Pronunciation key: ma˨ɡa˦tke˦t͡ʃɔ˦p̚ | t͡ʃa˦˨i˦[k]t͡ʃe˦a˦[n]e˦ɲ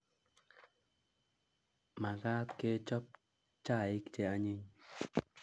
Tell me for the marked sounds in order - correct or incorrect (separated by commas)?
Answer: correct, incorrect